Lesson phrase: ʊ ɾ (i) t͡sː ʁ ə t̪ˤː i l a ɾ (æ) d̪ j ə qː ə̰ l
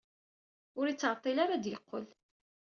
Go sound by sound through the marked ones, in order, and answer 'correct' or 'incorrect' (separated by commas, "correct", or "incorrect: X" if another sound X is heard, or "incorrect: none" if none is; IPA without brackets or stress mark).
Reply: correct, incorrect: a